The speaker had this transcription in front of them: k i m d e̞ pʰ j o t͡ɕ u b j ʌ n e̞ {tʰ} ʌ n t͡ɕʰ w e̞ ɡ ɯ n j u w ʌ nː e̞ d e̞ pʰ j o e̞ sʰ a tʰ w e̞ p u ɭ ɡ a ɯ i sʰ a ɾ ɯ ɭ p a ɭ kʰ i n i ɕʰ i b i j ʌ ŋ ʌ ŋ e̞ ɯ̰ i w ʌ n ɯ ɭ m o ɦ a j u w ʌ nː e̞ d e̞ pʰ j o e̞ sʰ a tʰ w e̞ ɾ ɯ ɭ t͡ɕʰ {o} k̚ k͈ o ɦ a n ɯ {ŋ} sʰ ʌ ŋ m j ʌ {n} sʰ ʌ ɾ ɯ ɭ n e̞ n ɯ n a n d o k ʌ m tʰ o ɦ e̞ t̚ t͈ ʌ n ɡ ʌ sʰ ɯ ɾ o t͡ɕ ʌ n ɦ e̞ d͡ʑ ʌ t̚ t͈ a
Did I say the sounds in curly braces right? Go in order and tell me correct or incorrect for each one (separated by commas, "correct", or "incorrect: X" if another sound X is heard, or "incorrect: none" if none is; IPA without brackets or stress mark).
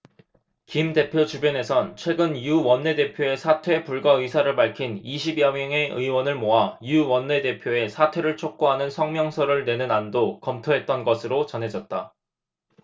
incorrect: sʰ, correct, incorrect: n, incorrect: ŋ